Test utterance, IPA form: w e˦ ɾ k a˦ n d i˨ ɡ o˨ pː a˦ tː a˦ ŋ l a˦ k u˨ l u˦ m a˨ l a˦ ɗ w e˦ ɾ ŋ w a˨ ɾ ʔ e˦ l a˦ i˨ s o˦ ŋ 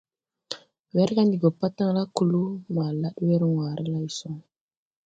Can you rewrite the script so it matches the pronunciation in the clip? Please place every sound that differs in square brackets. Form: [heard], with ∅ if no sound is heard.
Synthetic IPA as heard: w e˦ ɾ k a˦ n d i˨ ɡ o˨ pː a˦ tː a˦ ŋ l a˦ k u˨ l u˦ m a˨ l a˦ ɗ w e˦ ɾ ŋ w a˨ ɾ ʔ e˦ l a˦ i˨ s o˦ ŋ